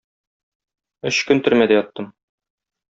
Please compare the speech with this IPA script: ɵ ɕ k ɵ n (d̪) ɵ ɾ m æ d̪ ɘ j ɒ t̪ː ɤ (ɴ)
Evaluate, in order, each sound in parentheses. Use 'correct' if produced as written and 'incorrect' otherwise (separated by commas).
incorrect, incorrect